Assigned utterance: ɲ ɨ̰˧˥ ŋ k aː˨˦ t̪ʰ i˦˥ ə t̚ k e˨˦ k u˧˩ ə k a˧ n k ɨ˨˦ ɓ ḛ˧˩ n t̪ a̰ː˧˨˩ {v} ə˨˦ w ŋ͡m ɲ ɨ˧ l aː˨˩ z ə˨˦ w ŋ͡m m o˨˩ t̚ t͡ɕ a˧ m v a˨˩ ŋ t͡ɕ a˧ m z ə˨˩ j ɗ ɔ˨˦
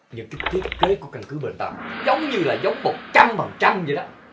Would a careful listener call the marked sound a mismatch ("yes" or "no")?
yes